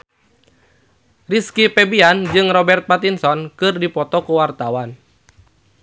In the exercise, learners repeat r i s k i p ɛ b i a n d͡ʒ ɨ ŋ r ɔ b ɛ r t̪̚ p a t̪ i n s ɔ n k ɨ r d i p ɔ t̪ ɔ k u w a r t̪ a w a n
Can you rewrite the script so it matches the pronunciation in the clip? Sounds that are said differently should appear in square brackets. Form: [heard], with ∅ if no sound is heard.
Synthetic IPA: r i s k i p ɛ b i a n d͡ʒ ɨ ŋ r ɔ b ɛ r t̪̚ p a t̪ i n s ɔ n k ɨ r d i p ɔ t̪ ɔ k u w a r t̪ a w a n